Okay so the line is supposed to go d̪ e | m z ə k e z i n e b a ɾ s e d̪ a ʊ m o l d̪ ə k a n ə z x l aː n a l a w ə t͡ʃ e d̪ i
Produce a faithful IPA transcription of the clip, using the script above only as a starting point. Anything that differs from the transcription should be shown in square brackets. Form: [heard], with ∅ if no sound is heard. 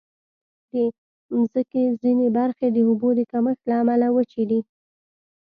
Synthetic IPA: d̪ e | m z ə k e z i n e b a ɾ [x] e d̪ [ə] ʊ [b] o [∅] d̪ ə k a [m] ə [∅] x l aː [m] a l a w ə t͡ʃ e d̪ i